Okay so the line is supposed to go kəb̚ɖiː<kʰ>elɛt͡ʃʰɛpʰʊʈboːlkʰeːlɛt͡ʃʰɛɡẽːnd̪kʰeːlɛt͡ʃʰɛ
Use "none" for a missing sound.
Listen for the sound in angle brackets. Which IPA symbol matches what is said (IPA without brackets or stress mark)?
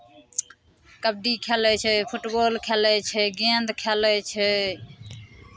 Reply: kʰ